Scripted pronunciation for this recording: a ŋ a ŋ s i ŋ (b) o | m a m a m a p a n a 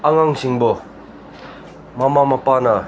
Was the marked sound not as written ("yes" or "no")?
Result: no